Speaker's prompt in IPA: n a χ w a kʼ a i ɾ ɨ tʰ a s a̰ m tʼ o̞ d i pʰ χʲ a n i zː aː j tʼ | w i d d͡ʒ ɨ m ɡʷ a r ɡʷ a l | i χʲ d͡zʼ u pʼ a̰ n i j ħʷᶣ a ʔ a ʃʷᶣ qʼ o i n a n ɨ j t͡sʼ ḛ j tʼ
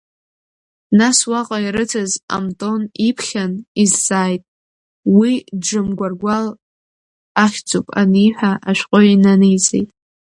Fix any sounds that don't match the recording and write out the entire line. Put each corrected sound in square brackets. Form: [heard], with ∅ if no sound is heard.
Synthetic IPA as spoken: n a [s] w a [qʼ] a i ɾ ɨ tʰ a [z] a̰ m tʼ o̞ [n] i pʰ χʲ a n i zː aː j tʼ | w i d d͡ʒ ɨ m ɡʷ a r ɡʷ a l | [a] χʲ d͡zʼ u pʼ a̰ n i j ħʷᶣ a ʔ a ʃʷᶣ qʼ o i n a n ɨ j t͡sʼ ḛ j tʼ